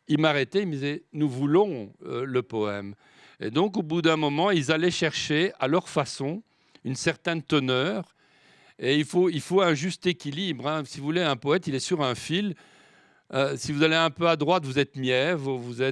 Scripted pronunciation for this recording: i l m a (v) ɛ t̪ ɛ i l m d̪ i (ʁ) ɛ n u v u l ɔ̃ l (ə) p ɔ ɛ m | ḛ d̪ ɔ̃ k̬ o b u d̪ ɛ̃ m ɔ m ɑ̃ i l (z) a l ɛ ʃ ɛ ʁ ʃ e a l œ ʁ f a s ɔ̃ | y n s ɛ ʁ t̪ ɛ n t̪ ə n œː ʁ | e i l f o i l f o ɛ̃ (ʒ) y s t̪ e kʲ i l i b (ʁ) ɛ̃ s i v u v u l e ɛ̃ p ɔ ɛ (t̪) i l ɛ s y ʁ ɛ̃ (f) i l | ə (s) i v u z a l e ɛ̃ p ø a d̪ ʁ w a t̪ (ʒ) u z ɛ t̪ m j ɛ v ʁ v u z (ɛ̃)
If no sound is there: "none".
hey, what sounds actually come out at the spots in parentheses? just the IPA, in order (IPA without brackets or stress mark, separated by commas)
ʁ, z, ə, z, ʒ, ʁ, t̪, f, s, v, ɛ